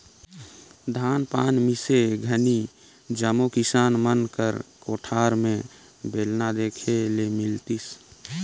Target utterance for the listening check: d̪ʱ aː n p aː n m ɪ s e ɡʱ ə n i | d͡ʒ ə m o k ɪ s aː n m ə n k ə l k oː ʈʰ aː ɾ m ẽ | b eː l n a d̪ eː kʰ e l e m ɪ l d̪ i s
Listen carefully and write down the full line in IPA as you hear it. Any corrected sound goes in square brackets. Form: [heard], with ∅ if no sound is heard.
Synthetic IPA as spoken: d̪ʱ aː n p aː n m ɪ s e ɡʱ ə n i | d͡ʒ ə m o k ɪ s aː n m ə n k ə [ɾ] k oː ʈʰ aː ɾ m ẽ | b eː l n a d̪ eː kʰ e l e m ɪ l [t̪] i s